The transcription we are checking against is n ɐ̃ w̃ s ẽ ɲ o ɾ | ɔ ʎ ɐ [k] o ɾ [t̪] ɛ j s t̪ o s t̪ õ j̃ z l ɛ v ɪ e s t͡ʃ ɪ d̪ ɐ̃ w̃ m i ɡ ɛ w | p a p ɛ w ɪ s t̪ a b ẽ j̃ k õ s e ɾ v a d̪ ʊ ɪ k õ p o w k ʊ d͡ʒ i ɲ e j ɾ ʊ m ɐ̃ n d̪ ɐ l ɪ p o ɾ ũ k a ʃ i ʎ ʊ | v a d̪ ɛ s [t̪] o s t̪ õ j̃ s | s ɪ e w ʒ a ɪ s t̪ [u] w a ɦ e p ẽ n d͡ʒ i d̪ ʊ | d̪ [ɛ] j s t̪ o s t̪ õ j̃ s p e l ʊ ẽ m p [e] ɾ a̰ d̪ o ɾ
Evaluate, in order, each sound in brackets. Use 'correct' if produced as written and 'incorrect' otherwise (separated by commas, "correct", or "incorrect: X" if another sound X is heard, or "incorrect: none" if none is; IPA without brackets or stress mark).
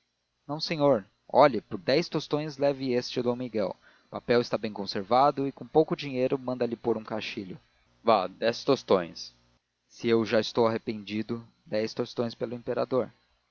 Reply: incorrect: p, incorrect: d̪, correct, incorrect: o, correct, correct